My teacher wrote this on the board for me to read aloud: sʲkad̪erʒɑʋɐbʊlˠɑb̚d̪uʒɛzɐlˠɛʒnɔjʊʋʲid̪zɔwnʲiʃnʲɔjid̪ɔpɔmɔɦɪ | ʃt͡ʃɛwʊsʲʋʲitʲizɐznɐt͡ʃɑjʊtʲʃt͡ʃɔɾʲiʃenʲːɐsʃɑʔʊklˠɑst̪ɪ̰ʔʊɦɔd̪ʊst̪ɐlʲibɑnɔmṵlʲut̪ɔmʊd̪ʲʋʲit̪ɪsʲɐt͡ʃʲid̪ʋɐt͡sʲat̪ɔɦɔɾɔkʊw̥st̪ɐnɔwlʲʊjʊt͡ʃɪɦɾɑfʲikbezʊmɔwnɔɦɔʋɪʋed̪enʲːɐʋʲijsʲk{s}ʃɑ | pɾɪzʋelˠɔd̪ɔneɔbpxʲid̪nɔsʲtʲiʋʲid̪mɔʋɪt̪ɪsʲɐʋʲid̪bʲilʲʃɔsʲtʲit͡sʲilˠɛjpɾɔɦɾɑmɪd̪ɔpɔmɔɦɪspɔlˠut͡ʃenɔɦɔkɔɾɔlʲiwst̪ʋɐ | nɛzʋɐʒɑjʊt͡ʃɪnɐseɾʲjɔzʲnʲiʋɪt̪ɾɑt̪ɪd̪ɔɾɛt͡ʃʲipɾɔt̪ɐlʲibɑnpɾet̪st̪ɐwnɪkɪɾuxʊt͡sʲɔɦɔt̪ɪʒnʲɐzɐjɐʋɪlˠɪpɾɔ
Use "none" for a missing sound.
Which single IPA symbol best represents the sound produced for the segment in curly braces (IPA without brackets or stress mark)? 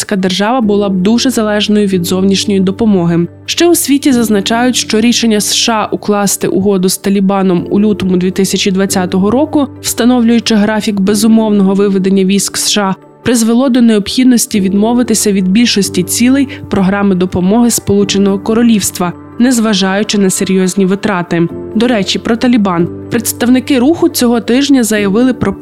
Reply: s